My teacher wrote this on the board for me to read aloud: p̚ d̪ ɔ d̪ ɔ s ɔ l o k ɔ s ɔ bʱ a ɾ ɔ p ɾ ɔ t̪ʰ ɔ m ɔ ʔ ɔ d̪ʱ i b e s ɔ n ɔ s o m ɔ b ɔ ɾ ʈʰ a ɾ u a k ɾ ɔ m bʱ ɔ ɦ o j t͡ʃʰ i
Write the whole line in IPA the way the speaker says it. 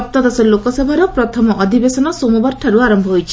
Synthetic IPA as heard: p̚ t̪ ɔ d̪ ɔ s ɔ l o k ɔ s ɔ bʱ a ɾ ɔ p ɾ ɔ t̪ʰ ɔ m ɔ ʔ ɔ d̪ʱ i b e s ɔ n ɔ s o m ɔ b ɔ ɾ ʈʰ a ɾ u a ɾ ɔ m bʱ ɔ ɦ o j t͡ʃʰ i